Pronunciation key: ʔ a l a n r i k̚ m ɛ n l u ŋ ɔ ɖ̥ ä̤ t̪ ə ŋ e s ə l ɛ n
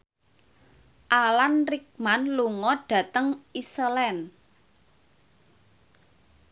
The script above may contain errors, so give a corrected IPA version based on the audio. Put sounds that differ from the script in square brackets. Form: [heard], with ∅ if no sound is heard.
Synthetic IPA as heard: ʔ a l a n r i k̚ m [a] n l u ŋ ɔ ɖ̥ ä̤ t̪ ə ŋ [i] s ə l ɛ n